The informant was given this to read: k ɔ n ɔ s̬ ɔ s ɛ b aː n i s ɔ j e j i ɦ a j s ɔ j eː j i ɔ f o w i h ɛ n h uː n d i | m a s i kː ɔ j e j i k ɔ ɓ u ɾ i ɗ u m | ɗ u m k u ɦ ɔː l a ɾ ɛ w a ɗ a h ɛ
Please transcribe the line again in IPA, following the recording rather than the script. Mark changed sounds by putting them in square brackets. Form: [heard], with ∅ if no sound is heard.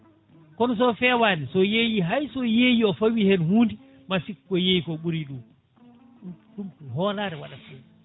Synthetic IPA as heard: k ɔ n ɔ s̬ ɔ [f] ɛ [w] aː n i s ɔ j e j i ɦ a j s ɔ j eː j i ɔ f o w i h ɛ n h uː n d i | m a s i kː ɔ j e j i k ɔ ɓ u ɾ i ɗ u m | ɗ u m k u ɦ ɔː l a ɾ ɛ w a ɗ a [f] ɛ